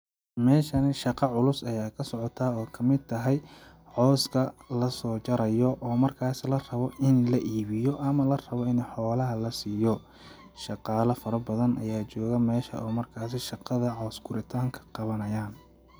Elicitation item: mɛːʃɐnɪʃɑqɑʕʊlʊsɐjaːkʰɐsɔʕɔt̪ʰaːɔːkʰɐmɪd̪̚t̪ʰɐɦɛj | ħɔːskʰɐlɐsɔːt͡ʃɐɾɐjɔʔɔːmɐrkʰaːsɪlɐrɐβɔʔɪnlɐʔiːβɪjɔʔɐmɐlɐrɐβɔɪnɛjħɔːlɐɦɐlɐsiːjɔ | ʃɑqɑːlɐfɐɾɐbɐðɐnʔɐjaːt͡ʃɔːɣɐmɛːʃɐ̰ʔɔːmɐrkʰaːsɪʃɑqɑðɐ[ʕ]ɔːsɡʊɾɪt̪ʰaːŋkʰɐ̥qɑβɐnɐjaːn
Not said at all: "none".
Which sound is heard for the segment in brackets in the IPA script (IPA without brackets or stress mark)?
ʕ